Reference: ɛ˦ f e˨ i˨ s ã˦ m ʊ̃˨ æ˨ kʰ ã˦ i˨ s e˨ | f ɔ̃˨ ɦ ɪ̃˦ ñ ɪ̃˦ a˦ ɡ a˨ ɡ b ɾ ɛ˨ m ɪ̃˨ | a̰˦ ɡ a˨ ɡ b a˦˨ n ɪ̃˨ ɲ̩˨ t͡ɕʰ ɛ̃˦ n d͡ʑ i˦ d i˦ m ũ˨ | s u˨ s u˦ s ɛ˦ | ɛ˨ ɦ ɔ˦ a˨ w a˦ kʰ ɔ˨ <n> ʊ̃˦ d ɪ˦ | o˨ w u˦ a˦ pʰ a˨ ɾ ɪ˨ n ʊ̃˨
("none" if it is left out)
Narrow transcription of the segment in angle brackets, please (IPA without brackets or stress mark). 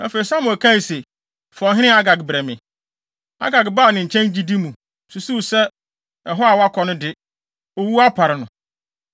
n